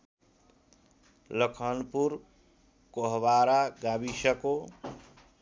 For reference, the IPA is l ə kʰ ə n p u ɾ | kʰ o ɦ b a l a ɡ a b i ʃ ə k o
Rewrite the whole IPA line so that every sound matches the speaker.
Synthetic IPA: l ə kʰ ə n p u ɾ | k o ɦ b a ɾ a ɡ a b i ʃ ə k o